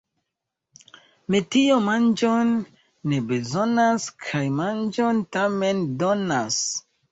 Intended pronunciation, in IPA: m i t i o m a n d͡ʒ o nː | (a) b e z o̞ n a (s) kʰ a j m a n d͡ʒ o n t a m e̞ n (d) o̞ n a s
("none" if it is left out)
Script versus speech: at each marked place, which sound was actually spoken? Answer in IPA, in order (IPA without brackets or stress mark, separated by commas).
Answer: e, s, d